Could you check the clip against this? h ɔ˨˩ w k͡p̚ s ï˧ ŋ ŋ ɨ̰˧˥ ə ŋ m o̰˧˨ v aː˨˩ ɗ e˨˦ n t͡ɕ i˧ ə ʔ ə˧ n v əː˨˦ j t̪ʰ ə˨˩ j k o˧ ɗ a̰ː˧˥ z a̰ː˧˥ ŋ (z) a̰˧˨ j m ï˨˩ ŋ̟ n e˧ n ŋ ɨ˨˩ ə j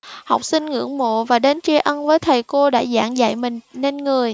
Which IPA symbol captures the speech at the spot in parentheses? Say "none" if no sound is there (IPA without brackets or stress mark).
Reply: z